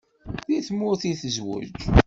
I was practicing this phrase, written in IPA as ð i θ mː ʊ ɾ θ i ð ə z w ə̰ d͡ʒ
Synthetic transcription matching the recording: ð i θ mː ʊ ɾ θ i θ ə z w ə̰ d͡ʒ